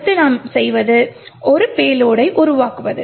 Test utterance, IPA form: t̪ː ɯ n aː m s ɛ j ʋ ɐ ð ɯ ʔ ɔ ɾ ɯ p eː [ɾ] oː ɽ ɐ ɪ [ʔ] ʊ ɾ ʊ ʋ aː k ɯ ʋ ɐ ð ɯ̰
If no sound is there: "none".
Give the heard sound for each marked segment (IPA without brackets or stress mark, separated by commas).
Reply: l, ʔ